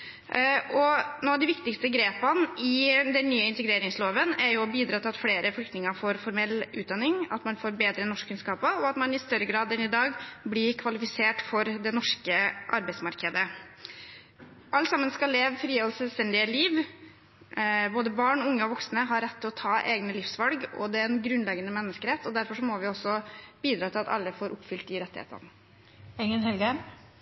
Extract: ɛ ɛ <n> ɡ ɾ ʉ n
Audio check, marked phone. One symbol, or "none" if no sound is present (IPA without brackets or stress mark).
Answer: n